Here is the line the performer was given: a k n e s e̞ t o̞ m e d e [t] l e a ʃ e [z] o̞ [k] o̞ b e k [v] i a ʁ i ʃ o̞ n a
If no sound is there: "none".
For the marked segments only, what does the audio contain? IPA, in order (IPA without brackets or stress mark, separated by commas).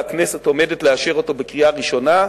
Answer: t, ʁ, t, ʁ